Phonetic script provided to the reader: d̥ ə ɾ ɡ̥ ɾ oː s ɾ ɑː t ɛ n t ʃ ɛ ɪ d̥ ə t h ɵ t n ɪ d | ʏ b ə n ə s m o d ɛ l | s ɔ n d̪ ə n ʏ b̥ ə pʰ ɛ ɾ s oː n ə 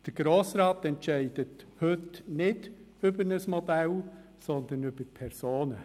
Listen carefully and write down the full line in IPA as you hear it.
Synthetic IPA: d̥ ə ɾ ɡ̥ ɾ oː s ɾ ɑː t ɛ n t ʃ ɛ ɪ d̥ ə t h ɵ t n ɪ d | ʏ b ə n ə s m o d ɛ l | s ɔ n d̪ ə n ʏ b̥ ə pʰ ɛ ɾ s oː n ə